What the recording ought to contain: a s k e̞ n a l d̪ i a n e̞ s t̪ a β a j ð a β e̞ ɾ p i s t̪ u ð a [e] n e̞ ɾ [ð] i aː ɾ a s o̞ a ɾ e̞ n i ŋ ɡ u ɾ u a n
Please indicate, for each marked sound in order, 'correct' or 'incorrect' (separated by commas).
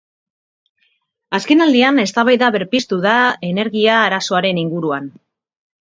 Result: correct, incorrect